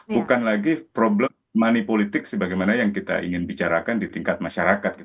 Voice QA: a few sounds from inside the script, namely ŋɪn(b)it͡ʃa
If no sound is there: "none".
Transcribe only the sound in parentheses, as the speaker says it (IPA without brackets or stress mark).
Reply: b